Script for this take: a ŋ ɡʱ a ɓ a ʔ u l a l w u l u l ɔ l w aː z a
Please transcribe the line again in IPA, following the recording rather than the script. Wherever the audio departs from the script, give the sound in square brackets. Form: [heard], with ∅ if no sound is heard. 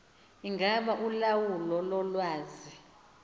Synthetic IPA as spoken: [i] ŋ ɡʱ a ɓ a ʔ u l a [∅] w u l [ɔ] l ɔ l w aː z [i]